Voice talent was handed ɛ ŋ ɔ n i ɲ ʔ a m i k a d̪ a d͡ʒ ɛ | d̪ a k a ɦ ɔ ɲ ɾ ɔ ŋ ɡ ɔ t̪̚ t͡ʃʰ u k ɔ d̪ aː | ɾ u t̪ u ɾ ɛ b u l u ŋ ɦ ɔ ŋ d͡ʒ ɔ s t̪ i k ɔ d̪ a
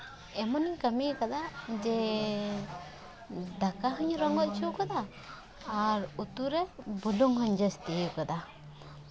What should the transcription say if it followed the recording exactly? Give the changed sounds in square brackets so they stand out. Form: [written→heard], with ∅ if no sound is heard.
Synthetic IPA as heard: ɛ [ŋ→m] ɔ n i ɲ [ʔ→k] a m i k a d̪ a d͡ʒ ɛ | d̪ a k a ɦ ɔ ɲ ɾ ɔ ŋ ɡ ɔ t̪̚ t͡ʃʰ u k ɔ d̪ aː | ɾ u t̪ u ɾ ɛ b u l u ŋ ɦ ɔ [ŋ→ɲ] d͡ʒ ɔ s t̪ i k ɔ d̪ a